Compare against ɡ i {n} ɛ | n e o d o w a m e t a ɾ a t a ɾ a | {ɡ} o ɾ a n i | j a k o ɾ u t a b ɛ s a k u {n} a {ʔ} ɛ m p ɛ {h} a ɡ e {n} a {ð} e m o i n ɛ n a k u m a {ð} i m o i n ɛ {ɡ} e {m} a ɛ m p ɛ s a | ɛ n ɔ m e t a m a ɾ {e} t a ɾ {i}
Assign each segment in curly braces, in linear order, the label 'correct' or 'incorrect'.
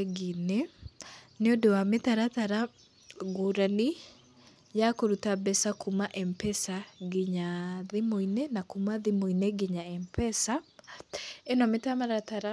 correct, correct, incorrect: m, correct, incorrect: s, incorrect: ɲ, correct, correct, correct, incorrect: ɲ, incorrect: a, incorrect: a

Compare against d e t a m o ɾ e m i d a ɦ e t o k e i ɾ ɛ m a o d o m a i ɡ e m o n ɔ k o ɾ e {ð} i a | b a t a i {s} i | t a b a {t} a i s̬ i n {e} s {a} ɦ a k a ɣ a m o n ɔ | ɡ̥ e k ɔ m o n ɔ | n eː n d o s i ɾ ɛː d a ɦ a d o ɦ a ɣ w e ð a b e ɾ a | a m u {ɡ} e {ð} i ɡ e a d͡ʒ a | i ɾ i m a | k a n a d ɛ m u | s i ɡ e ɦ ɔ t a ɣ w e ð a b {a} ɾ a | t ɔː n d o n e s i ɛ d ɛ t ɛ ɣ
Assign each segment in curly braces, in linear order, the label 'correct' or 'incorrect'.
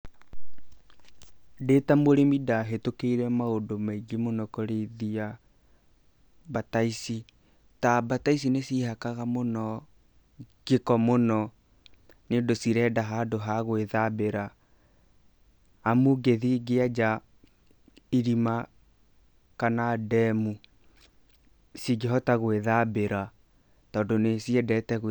correct, correct, correct, correct, incorrect: i, correct, correct, incorrect: e

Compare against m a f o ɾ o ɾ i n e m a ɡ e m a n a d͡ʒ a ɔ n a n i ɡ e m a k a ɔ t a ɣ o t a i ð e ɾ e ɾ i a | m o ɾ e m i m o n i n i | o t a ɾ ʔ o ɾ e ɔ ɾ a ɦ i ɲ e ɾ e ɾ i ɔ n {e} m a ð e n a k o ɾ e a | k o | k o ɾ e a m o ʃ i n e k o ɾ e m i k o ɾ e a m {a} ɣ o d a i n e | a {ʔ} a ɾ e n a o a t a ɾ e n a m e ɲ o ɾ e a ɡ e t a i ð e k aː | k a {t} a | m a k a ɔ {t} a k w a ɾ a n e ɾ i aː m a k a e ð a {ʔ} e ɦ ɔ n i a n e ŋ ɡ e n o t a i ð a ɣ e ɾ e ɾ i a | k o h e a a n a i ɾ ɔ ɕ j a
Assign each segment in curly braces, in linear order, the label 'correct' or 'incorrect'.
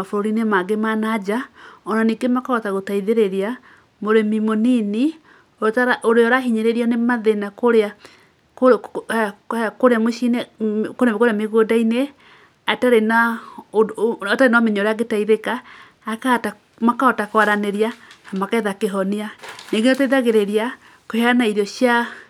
correct, incorrect: e, incorrect: t, correct, correct, incorrect: k

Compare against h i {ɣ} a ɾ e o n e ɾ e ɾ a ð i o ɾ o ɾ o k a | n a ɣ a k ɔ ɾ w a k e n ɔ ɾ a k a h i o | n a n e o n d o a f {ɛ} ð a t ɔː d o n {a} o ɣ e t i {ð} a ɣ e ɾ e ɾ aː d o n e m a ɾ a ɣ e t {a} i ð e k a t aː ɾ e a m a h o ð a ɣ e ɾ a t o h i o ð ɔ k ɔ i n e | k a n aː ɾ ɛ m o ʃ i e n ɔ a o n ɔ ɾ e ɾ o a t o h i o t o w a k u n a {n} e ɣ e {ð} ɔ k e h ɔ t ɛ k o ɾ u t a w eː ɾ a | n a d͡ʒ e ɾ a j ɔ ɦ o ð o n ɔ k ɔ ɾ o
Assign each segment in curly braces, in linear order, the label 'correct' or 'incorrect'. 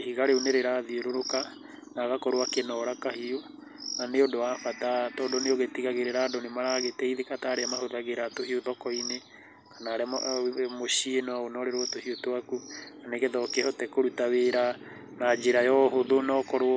correct, incorrect: a, incorrect: e, incorrect: ɣ, incorrect: ɛ, correct, correct

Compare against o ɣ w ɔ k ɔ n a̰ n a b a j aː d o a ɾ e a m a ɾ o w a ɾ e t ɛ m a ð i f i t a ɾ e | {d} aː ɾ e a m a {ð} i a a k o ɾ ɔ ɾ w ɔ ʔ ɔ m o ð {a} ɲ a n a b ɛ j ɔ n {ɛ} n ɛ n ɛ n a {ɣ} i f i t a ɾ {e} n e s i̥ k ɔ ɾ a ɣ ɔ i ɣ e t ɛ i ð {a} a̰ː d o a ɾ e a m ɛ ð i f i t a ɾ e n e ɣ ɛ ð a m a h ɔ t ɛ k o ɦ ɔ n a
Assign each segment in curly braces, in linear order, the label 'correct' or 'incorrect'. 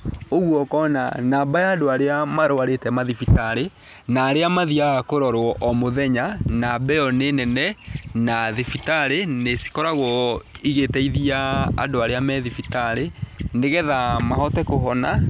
incorrect: n, correct, incorrect: ɛ, incorrect: e, incorrect: ð, correct, incorrect: i

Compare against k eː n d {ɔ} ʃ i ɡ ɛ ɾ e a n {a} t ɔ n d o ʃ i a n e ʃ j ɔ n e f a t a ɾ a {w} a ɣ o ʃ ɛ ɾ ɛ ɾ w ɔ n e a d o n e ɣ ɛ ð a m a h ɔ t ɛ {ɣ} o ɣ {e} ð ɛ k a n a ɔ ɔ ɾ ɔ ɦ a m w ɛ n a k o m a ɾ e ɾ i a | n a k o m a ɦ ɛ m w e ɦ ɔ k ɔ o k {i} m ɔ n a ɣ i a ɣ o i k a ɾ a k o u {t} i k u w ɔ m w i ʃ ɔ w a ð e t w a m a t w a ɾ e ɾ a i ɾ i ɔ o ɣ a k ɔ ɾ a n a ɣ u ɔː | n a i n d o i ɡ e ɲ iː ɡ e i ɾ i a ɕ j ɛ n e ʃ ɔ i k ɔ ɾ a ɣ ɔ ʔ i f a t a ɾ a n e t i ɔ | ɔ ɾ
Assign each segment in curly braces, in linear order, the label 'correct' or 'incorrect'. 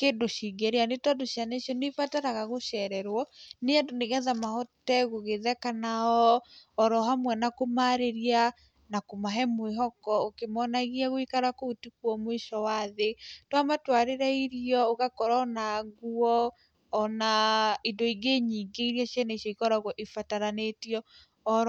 incorrect: o, incorrect: e, incorrect: ɣ, correct, correct, incorrect: e, correct

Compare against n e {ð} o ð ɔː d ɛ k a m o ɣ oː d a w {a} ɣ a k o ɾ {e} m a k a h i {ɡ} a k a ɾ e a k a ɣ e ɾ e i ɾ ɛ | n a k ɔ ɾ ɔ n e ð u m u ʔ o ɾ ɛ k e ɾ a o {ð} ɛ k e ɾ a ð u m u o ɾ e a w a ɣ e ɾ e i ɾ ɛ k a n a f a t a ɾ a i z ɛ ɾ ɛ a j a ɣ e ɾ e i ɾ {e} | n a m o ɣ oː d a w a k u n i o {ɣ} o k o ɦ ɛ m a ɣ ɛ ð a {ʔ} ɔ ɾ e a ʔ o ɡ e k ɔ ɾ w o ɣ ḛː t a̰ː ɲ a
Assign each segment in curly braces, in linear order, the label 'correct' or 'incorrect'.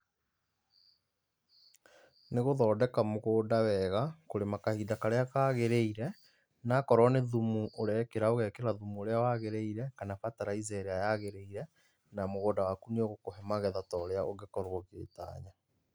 incorrect: ɣ, incorrect: ɛ, correct, incorrect: d, incorrect: ɣ, incorrect: ɛ, correct, incorrect: t

